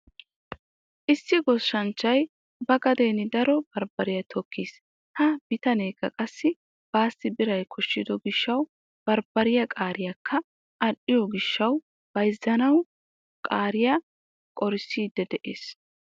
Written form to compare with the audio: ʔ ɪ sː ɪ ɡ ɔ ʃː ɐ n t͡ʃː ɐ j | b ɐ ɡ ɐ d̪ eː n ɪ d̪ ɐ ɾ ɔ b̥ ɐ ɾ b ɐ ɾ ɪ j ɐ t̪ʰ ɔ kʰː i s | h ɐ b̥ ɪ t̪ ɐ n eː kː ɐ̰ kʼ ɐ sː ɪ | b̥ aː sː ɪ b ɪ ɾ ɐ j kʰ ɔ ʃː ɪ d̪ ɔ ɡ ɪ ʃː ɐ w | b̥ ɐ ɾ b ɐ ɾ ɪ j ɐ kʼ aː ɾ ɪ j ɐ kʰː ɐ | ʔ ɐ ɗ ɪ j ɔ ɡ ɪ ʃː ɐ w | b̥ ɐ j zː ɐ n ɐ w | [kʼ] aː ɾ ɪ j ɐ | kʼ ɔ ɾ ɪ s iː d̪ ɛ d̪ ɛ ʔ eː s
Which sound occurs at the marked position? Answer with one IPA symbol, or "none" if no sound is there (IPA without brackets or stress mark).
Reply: kʼ